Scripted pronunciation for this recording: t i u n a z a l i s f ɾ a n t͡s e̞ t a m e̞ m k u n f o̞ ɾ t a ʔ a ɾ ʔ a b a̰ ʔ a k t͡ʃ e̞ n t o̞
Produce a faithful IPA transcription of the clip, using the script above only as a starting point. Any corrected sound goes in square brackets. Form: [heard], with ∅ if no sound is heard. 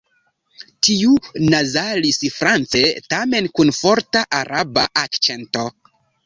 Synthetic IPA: t i u n a z a l i s f ɾ a n t͡s e̞ t a m e̞ [n] k u n f o̞ ɾ t a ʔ a ɾ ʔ a b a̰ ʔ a k t͡ʃ e̞ n t o̞